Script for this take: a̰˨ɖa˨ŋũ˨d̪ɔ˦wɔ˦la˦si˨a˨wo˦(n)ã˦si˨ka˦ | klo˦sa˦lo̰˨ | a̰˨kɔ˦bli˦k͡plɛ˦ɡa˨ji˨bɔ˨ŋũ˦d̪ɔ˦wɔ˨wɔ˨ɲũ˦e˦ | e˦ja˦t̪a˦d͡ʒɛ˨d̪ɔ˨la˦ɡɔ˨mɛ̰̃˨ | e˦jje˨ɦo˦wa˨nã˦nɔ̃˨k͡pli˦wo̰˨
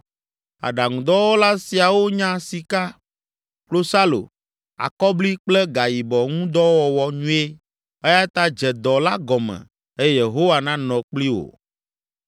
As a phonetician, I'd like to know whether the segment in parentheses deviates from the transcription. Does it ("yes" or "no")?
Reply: yes